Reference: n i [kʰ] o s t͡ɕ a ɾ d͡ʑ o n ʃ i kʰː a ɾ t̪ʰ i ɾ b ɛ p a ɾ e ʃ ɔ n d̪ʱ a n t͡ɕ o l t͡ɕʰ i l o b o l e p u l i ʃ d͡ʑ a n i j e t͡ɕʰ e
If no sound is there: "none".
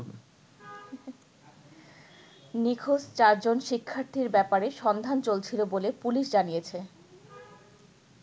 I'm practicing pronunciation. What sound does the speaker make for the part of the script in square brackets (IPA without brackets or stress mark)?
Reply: kʰ